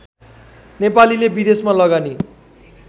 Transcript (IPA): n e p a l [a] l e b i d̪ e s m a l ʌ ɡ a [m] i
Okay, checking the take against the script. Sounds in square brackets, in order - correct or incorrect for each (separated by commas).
incorrect, incorrect